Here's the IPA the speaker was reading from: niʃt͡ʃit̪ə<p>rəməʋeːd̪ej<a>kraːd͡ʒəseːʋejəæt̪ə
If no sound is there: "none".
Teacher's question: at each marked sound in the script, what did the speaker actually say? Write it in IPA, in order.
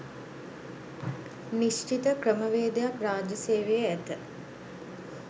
k, a

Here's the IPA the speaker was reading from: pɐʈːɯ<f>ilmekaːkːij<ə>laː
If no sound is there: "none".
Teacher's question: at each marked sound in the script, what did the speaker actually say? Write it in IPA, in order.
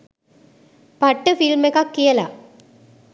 f, ɐ

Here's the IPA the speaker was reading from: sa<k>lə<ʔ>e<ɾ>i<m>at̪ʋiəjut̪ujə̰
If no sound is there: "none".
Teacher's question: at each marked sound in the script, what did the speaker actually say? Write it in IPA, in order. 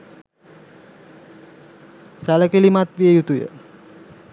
none, k, l, m

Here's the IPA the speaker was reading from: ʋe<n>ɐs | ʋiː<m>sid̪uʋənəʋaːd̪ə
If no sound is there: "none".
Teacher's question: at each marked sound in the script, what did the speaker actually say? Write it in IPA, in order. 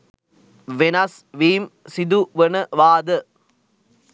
n, m

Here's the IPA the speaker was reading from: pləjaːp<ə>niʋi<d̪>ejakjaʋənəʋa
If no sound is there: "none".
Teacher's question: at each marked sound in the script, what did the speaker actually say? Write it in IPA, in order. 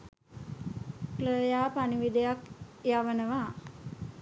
a, d̪

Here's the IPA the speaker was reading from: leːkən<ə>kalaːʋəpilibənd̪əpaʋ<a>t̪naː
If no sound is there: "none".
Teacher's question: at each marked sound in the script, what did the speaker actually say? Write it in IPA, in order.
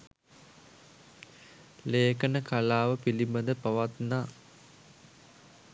ə, a

